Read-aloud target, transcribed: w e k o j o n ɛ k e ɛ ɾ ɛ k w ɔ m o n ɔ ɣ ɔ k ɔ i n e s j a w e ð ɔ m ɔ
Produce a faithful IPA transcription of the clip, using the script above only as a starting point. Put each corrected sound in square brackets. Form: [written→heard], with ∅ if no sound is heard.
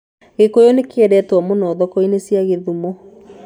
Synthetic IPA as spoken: [w→ɣ] e k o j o n [ɛ→e] k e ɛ ɾ ɛ [k→t] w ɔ m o n ɔ [ɣ→ð] ɔ k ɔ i n e s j a [w→ɣ] e ð [ɔ→u] m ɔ

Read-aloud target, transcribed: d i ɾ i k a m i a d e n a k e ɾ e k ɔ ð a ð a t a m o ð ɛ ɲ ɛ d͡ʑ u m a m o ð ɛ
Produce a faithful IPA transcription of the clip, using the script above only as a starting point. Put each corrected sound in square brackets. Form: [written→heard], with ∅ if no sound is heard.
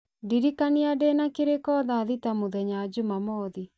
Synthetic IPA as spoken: d i ɾ i k a [m→n] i a d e n a k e ɾ e k ɔ ð a ð [a→i] t a m o ð ɛ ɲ [ɛ→a] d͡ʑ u m a m [o→ɔ] ð [ɛ→i]

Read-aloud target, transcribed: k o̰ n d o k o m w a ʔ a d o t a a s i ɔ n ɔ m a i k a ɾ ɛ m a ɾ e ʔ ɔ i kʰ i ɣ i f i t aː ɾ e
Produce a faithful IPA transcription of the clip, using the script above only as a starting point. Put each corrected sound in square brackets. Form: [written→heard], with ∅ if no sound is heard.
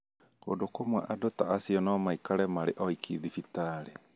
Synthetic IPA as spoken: k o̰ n d o k o m w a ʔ a d o t a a s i ɔ n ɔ m a i k a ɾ ɛ m a ɾ e ʔ ɔ i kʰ i [ɣ→ð] i f i t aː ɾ e

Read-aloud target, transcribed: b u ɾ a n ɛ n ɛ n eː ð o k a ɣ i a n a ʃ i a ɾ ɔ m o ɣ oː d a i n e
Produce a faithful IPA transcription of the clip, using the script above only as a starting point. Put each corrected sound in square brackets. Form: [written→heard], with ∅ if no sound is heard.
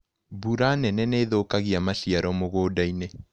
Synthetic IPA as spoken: b u ɾ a n ɛ n ɛ n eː ð o k a ɣ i a [n→m] a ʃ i a ɾ ɔ m o ɣ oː d a i n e

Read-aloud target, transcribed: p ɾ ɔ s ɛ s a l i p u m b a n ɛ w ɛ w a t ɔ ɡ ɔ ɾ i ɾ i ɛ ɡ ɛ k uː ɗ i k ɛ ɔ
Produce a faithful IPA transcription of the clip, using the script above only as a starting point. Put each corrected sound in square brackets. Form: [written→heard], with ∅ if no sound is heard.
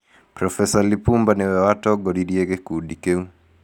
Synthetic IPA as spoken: p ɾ ɔ [s→f] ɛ s a l i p u m b a n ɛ w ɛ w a t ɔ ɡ ɔ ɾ i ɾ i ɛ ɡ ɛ k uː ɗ i k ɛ [ɔ→u]

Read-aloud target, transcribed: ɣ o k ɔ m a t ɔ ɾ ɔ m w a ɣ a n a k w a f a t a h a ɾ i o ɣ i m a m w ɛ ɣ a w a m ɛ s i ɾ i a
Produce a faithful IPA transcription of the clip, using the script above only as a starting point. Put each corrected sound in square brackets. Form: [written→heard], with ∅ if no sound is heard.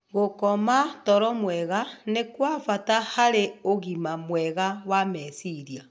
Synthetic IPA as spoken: ɣ o k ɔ m a t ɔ ɾ ɔ m w [a→ɛ] ɣ a n [a→e] k w a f a t a h a ɾ [i→e] o ɣ i m a m w ɛ ɣ a w a m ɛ s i ɾ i a

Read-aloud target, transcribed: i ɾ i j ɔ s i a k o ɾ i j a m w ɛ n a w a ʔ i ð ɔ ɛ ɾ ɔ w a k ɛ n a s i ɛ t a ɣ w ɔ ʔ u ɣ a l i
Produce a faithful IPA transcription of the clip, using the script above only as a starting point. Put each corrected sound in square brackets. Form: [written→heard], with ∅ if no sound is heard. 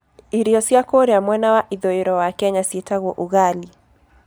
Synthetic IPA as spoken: i ɾ i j ɔ s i a k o ɾ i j a m w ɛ n a w a ʔ i ð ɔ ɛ ɾ ɔ w a k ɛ [n→ɲ] a s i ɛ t a ɣ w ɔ ʔ u ɣ a l i

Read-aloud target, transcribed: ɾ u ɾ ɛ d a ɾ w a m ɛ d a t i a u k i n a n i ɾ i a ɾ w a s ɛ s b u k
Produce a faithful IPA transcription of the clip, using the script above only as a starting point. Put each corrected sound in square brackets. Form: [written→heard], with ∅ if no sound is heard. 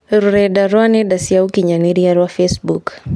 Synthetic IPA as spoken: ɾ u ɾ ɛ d a ɾ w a [m→n] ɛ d a [t→s] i a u k i [n→ɲ] a n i ɾ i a ɾ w a [s→f] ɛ s b u k

